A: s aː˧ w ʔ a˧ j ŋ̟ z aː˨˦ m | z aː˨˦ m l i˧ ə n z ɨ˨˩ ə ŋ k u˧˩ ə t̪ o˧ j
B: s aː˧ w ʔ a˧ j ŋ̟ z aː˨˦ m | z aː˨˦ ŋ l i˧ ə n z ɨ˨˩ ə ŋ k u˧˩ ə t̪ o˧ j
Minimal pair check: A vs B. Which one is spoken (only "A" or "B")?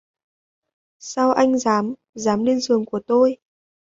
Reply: A